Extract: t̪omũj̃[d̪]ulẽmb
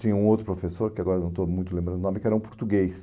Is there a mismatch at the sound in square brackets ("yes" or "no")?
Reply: yes